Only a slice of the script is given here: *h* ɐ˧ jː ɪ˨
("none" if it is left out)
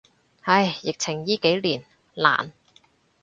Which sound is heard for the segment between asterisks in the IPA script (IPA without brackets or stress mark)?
h